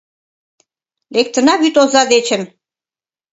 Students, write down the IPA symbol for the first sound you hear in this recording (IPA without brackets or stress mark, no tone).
l